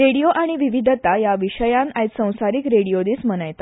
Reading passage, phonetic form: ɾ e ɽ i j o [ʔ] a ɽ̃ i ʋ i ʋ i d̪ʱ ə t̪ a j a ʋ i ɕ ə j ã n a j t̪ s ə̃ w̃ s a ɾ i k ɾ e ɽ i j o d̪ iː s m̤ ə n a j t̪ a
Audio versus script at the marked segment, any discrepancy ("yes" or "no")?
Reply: no